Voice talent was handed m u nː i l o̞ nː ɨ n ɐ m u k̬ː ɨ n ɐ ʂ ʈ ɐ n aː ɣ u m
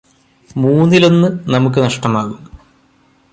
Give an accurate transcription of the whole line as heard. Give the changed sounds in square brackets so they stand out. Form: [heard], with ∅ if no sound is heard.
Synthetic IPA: m [uː] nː i l o̞ nː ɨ n ɐ m u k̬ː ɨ n ɐ ʂ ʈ ɐ [m] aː ɣ u m